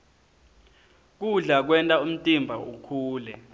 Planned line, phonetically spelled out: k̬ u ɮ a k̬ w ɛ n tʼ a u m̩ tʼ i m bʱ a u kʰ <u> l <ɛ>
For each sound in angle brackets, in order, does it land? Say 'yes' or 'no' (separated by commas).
no, yes